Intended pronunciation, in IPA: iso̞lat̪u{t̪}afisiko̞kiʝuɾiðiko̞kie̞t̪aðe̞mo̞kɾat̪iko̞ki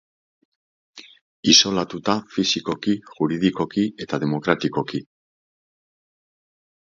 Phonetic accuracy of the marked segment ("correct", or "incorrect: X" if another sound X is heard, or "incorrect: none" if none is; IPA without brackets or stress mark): correct